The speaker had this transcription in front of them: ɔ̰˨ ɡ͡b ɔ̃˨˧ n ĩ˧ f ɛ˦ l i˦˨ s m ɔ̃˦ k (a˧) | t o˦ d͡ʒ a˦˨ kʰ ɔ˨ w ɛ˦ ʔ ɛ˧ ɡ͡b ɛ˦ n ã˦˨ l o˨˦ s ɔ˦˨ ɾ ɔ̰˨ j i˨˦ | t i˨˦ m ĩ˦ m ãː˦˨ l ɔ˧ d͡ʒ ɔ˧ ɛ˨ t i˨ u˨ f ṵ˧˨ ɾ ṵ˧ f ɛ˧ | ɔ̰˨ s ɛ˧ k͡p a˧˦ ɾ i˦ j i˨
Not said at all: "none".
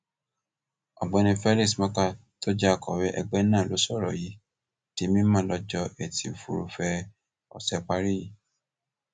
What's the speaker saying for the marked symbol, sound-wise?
a˧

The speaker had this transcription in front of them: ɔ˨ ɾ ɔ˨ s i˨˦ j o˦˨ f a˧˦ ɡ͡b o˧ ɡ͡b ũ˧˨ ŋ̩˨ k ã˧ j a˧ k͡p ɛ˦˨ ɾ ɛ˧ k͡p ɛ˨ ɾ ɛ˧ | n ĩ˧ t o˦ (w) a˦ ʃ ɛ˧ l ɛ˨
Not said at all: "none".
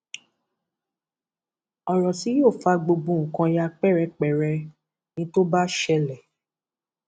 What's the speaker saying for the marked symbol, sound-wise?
b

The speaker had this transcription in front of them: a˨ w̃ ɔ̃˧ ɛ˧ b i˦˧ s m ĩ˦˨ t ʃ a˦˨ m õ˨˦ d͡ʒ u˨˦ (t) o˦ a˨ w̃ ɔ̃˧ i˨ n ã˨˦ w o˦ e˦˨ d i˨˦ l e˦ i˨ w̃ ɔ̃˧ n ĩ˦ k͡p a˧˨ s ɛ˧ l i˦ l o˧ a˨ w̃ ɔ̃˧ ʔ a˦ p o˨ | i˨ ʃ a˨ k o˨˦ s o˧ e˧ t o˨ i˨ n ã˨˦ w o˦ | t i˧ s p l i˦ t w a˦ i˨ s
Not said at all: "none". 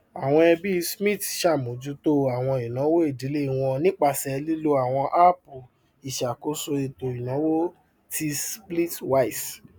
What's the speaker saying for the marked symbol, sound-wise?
t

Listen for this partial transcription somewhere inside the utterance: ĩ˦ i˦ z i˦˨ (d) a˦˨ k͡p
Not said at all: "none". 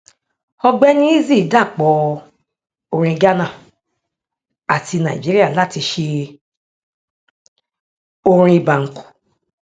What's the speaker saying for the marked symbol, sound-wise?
d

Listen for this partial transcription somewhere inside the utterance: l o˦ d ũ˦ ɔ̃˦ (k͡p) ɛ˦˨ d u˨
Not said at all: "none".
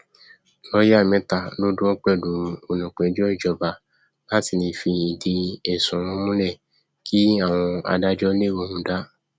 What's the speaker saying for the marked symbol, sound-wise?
k͡p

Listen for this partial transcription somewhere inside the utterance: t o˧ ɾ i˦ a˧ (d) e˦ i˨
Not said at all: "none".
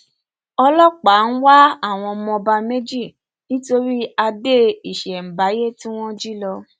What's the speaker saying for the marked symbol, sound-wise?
d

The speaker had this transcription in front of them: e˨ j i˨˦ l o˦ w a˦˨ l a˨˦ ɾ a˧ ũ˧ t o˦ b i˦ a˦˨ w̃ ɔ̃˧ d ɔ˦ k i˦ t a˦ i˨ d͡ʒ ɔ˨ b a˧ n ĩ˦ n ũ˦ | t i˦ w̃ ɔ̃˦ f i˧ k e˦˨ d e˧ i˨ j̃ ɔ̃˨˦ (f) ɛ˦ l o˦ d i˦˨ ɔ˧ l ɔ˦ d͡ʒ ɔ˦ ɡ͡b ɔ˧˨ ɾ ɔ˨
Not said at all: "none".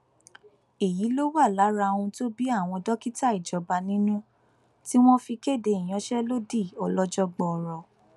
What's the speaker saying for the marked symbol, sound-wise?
ʃ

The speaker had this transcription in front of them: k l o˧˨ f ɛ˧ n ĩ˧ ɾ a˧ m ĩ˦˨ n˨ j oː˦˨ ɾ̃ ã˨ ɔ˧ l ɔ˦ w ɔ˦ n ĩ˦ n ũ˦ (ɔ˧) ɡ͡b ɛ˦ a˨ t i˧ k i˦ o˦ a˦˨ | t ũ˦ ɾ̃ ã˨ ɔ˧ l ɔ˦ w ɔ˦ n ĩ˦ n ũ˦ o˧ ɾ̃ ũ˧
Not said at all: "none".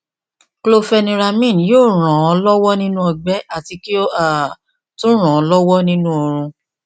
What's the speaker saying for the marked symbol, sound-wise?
ɔ˧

